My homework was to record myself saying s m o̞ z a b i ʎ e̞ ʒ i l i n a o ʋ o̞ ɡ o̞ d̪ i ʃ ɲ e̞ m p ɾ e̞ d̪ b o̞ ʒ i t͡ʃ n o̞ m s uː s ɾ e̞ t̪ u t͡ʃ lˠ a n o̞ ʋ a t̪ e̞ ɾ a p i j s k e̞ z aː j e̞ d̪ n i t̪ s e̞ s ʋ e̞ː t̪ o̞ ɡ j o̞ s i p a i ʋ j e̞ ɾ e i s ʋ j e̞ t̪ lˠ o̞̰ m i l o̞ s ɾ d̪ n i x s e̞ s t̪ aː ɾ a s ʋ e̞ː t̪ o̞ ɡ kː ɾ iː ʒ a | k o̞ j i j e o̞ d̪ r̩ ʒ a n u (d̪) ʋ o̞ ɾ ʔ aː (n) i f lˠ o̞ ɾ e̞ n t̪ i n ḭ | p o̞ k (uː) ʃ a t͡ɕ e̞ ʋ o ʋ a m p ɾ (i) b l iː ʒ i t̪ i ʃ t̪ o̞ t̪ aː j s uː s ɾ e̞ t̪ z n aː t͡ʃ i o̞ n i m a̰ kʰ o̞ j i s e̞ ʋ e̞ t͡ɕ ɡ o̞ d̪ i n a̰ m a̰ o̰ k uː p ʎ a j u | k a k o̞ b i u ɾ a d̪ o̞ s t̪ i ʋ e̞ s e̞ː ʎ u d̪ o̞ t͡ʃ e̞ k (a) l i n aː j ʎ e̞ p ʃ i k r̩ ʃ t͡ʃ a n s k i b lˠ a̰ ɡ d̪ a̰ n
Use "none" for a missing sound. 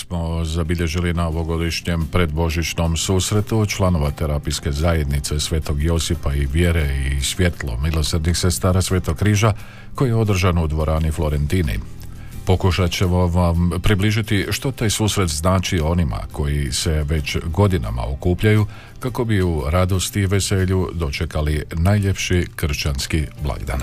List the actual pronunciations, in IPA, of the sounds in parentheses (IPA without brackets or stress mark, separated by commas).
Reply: d̪, n, u, i, a